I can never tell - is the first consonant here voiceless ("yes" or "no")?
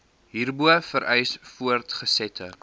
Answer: no